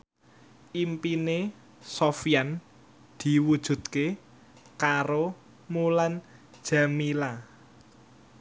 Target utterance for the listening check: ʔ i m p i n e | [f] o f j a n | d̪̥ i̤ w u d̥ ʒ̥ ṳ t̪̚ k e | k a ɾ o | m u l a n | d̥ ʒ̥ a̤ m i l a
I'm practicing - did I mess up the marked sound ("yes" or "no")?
yes